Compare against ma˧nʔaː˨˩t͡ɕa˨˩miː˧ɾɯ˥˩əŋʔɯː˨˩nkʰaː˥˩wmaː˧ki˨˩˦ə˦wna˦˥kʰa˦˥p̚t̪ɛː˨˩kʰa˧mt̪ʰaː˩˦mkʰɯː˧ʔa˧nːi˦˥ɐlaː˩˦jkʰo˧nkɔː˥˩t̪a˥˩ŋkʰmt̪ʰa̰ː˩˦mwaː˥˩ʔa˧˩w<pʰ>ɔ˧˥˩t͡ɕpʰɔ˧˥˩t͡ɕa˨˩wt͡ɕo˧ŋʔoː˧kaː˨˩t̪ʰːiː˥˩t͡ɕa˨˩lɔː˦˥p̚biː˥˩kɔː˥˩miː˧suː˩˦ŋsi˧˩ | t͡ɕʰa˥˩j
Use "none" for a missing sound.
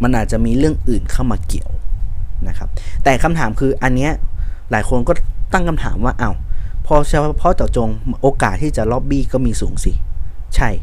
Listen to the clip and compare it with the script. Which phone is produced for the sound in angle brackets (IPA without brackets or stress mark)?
pʰ